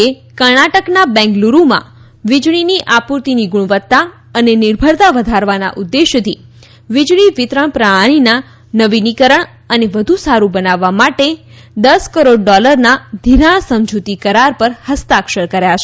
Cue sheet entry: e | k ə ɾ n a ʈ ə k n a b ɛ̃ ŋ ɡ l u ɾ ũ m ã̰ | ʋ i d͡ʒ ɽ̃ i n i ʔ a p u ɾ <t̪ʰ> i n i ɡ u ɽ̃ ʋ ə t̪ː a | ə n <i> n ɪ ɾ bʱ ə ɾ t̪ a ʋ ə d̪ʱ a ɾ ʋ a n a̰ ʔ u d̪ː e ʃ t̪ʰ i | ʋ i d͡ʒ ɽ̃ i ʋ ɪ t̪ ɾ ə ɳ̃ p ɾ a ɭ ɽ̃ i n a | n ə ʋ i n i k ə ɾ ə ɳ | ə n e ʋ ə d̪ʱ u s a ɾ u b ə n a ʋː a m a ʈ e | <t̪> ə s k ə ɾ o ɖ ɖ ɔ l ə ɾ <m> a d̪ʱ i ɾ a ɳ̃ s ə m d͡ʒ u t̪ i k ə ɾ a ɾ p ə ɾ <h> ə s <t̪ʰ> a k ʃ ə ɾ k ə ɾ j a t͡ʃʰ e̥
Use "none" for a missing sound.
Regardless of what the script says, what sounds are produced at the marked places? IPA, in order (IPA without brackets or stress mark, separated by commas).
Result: t̪, e, d̪, n, h, t̪